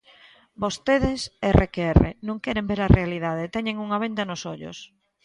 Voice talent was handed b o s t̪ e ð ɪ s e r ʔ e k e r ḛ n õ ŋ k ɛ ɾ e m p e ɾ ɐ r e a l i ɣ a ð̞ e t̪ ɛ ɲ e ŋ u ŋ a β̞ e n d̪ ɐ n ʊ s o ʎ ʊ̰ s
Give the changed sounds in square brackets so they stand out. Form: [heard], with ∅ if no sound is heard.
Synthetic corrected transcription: b o s t̪ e ð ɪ s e r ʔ e k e r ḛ n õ ŋ k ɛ ɾ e m [b] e ɾ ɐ r e a l i [ð] a ð̞ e t̪ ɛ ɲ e ŋ u ŋ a β̞ e n d̪ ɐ n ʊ s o ʎ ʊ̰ s